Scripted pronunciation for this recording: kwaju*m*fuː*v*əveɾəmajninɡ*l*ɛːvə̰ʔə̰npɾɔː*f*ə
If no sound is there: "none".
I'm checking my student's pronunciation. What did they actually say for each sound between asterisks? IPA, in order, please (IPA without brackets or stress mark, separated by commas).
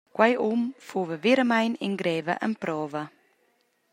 m, v, ɾ, v